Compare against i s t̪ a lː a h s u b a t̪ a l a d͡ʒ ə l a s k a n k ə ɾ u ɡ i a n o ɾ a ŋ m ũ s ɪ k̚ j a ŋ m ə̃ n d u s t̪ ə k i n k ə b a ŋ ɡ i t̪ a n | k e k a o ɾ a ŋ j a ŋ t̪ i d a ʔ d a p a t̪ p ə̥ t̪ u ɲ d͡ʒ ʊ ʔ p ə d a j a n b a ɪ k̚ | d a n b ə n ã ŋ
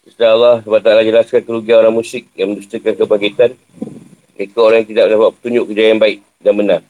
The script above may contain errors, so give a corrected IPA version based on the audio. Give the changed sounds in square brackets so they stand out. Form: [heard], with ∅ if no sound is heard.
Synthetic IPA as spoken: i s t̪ a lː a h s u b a t̪ a l a d͡ʒ ə l a s k a n k ə ɾ u ɡ i a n o ɾ a ŋ m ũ s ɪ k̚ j a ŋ m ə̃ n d u s t̪ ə k [a] n k ə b a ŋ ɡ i t̪ a n | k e k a o ɾ a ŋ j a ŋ t̪ i d a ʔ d a p a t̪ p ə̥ t̪ u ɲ d͡ʒ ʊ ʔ [k] ə [d͡ʒ] a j a n b a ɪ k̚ | d a n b ə n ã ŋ